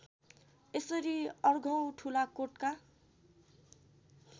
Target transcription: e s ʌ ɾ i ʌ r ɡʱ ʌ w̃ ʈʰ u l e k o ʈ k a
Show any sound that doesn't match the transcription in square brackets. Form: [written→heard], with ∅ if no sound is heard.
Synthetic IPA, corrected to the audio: e s ʌ ɾ i ʌ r ɡʱ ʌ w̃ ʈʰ u l [e→a] k o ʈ k a

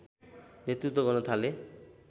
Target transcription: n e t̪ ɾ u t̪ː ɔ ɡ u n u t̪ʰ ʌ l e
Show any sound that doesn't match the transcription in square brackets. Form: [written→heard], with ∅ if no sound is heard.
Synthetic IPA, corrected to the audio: n e t̪ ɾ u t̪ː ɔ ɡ [u→ɔ] n [u→ɔ] t̪ʰ [ʌ→a] l e

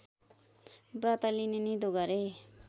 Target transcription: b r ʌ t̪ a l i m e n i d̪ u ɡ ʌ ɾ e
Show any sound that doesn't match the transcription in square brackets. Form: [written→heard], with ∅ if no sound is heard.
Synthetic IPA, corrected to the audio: b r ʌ t̪ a l i [m→n] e n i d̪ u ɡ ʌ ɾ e

